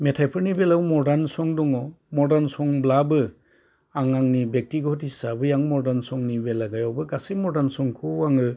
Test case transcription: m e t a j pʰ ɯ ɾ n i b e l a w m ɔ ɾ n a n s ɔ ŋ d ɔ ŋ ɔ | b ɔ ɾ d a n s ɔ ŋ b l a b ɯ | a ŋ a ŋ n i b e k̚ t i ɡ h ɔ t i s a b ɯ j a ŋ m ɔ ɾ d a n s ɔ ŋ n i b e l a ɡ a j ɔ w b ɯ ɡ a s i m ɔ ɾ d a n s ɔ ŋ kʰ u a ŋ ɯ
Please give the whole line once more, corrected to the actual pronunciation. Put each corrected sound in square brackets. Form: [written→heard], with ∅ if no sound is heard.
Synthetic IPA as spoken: m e [t→tʰ] a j pʰ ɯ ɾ n i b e l a w m ɔ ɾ [n→d] a n s ɔ ŋ d ɔ ŋ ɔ | [b→m] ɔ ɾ d a n s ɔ ŋ b l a b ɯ | a ŋ a ŋ n i b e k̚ t i ɡ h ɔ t i s a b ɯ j a ŋ m ɔ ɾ d a n s ɔ ŋ n i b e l a ɡ a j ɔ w b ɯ ɡ a s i m ɔ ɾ d a n s ɔ ŋ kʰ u a ŋ ɯ